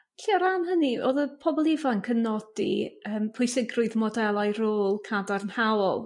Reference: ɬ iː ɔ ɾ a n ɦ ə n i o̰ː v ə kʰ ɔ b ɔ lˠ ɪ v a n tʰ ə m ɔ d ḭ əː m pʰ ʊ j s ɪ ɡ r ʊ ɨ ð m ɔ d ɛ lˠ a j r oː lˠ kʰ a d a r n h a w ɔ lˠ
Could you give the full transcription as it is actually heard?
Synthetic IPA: ɬ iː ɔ ɾ a n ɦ ə n i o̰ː ð ə pʰ ɔ b ɔ lˠ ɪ v a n kʰ ə n ɔ d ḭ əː m pʰ ʊ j s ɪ ɡ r ʊ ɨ ð m ɔ d ɛ lˠ a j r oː lˠ kʰ a d a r n h a w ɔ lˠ